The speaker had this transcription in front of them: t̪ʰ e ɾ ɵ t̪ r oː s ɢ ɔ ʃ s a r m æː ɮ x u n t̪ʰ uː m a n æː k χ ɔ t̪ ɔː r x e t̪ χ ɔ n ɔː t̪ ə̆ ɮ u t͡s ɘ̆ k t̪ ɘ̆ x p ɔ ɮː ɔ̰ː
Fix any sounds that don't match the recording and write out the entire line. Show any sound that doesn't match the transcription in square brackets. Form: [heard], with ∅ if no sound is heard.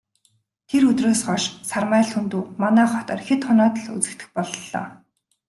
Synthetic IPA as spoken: t̪ʰ e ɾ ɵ t̪ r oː s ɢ ɔ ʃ s a r m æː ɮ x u n [t̪] uː m a n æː [∅] χ ɔ t̪ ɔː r x e t̪ χ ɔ n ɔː t̪ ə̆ ɮ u t͡s ɘ̆ k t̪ ɘ̆ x p ɔ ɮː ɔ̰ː